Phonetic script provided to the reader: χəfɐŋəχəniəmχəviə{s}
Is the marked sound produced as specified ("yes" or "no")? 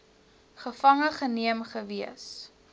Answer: yes